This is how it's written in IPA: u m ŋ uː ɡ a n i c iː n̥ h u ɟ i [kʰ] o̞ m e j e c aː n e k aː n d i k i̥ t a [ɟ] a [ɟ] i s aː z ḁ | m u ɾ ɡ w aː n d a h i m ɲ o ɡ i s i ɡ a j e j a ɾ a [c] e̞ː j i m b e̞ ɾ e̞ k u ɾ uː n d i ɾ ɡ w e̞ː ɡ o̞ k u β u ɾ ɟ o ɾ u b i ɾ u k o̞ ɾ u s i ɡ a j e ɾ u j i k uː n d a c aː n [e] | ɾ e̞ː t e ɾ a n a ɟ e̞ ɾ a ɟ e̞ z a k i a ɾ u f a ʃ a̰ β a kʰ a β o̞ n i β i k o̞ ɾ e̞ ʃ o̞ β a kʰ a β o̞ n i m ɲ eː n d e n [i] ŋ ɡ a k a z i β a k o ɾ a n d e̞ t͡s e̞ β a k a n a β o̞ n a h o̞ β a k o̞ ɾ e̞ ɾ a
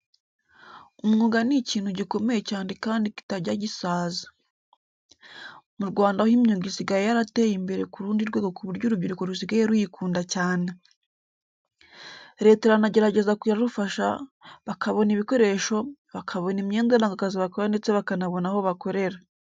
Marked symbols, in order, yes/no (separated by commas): no, yes, yes, no, yes, no